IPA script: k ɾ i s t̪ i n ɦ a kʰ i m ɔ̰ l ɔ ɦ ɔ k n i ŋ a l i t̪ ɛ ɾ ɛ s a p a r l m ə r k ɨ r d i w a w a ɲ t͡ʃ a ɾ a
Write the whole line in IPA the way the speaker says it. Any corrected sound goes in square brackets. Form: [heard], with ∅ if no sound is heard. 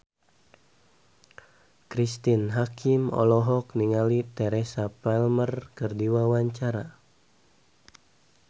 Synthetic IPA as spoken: k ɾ i s t̪ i n ɦ a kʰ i m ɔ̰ l ɔ ɦ ɔ k n i ŋ a l i t̪ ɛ ɾ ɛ s a p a [∅] l m ə r k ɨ r d i w a w a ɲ t͡ʃ a ɾ a